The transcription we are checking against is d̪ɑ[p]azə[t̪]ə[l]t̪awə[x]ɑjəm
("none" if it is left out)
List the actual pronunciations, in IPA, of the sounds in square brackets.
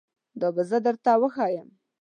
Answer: b, d̪, ɾ, x

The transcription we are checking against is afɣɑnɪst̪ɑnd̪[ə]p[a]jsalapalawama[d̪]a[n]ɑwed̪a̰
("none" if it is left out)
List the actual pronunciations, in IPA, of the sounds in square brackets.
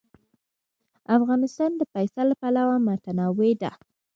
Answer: ə, a, t̪, n

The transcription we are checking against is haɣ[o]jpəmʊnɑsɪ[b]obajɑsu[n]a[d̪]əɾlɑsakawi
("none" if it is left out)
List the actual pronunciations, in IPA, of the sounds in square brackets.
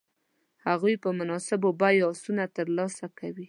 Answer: u, b, n, t̪

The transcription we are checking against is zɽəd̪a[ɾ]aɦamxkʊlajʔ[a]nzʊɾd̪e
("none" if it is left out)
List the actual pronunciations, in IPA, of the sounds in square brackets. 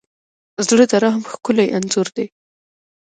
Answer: ɾ, a

